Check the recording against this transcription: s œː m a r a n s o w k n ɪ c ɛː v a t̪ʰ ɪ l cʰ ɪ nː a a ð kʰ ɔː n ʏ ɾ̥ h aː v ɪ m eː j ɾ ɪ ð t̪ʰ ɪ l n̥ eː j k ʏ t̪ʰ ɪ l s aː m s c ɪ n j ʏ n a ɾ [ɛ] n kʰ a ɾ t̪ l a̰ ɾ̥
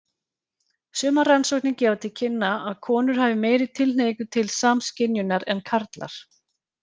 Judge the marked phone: correct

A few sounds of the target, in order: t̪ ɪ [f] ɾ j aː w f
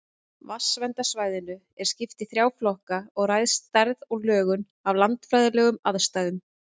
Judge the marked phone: incorrect: θ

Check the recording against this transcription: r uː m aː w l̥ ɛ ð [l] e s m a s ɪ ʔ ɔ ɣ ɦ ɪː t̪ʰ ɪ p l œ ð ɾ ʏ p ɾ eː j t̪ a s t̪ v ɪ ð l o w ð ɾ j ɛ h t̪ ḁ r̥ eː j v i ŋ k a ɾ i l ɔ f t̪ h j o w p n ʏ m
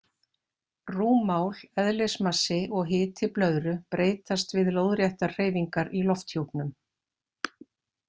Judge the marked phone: correct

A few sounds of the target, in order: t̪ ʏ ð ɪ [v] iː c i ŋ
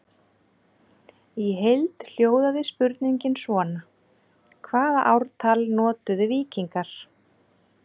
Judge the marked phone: correct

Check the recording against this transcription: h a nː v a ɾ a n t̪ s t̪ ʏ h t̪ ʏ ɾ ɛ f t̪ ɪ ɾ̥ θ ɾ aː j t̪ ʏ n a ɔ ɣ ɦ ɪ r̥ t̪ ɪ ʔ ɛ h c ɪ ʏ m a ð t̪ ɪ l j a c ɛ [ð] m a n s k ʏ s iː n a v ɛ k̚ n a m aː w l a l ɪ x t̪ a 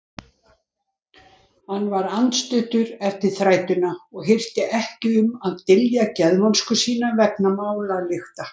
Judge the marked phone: correct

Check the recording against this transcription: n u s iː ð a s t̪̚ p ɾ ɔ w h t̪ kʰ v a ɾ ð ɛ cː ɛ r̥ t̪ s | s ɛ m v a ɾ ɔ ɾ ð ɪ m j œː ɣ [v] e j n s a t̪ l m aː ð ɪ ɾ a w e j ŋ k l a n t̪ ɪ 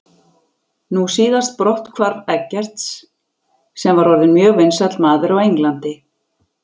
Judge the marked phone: correct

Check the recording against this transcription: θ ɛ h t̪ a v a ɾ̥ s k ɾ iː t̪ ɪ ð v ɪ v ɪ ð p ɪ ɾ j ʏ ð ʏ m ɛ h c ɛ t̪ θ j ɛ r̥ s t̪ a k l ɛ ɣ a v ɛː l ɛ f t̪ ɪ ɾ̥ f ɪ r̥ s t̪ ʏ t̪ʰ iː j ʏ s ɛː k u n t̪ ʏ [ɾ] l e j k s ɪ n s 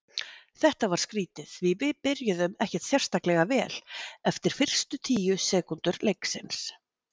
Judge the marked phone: correct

